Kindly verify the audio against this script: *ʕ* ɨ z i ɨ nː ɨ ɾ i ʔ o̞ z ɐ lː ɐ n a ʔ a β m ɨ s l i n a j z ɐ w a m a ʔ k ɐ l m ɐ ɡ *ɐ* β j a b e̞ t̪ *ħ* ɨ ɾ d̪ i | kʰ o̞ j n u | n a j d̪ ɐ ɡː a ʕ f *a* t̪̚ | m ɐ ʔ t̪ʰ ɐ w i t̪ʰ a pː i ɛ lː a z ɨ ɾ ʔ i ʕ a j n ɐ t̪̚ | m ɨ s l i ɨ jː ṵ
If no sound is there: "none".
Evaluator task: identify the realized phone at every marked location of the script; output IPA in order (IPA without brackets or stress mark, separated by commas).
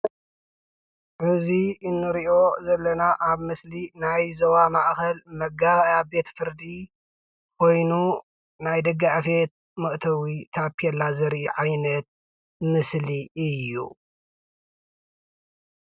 ʕ, a, f, e